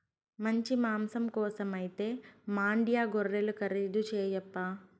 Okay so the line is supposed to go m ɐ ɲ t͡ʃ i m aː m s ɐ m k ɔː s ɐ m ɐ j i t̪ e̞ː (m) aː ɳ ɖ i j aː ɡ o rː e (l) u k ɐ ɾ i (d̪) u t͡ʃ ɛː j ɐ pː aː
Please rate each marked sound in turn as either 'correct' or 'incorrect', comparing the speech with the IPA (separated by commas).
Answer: correct, correct, correct